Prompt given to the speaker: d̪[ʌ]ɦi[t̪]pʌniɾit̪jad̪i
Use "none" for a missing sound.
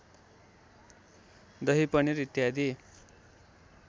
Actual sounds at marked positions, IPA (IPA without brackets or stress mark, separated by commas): ʌ, none